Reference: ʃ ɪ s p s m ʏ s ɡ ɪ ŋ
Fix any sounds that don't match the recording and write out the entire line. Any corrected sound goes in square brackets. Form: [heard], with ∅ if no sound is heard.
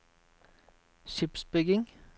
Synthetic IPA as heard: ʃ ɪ [∅] p s [b] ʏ [∅] ɡ ɪ ŋ